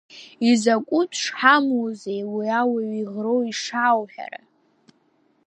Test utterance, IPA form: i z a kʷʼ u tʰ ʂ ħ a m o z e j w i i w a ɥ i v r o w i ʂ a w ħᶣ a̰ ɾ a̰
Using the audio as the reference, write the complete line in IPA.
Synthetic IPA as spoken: i z a kʷʼ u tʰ ʂ ħ a m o z e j w i a w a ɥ i ʁ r o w i ʂ a w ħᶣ a̰ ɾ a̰